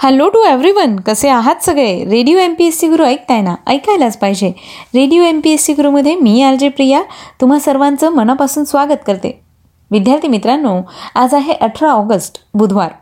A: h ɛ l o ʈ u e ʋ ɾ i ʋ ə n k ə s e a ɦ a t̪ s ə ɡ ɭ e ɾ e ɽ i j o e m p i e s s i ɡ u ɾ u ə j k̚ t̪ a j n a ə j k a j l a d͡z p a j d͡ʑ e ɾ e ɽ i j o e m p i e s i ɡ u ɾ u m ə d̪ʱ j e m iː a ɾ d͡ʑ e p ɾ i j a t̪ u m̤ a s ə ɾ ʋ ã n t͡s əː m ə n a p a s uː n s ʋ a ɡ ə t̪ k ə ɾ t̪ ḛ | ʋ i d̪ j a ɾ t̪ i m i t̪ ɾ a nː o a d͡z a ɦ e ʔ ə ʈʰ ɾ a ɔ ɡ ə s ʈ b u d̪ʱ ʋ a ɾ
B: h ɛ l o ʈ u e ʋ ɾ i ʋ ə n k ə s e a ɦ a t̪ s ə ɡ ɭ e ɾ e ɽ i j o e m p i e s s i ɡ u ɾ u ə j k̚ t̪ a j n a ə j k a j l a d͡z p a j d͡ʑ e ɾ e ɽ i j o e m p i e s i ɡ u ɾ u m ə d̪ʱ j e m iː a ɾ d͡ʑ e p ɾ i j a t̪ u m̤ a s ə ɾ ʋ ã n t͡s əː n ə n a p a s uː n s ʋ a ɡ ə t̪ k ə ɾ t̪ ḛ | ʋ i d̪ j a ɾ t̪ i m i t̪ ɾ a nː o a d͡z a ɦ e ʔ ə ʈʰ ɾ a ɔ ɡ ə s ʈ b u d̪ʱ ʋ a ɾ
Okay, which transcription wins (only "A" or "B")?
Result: A